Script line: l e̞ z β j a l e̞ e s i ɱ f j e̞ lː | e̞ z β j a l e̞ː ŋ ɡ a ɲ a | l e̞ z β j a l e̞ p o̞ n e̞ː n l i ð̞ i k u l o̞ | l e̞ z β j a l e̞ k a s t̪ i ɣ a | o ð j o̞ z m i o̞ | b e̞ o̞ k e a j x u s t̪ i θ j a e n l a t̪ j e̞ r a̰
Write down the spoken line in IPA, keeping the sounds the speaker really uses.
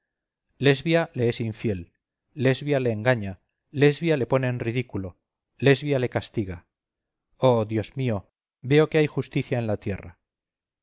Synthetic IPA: l e̞ z β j a l e̞ e s i ɱ f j e̞ lː | e̞ z β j a l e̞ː ŋ ɡ a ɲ a | l e̞ z β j a l e̞ p o̞ n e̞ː n r i ð̞ i k u l o̞ | l e̞ z β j a l e̞ k a s t̪ i ɣ a | o ð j o̞ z m i o̞ | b e̞ o̞ k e a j x u s t̪ i θ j a e n l a t̪ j e̞ r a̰